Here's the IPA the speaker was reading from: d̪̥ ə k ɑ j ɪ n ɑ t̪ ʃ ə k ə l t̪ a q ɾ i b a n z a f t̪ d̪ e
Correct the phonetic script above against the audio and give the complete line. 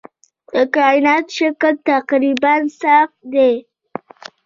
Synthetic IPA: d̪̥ ə k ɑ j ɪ n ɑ t̪ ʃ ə k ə l t̪ a q ɾ i b a n s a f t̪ d̪ e